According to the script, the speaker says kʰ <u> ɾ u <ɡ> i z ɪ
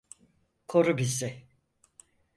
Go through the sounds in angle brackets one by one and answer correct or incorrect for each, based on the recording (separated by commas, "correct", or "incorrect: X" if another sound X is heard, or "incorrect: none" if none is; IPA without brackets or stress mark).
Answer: incorrect: o, incorrect: b